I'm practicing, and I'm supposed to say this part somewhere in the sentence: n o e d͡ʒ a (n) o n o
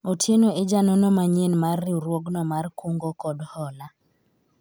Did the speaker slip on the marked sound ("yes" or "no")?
no